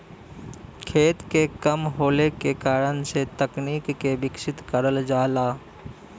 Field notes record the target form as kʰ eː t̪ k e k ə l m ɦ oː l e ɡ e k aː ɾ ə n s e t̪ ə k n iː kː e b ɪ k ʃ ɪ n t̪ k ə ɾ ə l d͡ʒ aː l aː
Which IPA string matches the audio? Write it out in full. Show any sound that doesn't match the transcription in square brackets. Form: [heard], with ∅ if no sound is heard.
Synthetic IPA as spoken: kʰ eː t̪ k e k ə [∅] m ɦ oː l e [k] e k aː ɾ ə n s e t̪ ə k n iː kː e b ɪ k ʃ ɪ [∅] t̪ k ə ɾ ə l d͡ʒ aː l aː